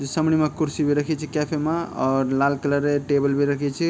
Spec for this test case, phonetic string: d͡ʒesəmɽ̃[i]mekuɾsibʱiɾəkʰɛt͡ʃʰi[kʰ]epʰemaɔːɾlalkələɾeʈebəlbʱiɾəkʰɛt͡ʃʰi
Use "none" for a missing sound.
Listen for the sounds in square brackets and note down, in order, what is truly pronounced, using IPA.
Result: i, k

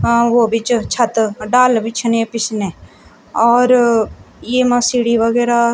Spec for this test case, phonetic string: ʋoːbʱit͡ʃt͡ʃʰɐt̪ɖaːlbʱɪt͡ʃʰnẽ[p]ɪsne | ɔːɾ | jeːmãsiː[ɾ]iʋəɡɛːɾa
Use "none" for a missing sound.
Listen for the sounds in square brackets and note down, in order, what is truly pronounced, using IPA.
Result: p, ɽ

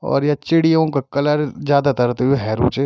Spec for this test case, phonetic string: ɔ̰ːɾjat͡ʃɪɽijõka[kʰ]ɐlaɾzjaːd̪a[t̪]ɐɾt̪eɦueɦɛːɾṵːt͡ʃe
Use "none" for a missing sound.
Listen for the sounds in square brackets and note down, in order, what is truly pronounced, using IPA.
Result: k, t̪

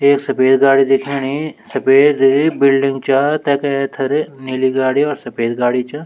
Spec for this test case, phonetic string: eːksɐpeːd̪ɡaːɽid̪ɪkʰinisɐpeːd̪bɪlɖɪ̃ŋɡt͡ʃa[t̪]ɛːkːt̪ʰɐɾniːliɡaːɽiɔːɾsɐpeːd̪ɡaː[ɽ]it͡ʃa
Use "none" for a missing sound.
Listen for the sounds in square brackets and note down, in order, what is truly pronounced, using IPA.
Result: t̪, ɽ

